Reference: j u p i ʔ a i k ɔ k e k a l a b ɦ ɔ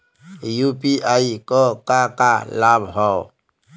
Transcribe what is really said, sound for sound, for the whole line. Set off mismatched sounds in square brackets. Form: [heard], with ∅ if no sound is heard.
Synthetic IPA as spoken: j u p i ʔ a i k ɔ k [a] k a l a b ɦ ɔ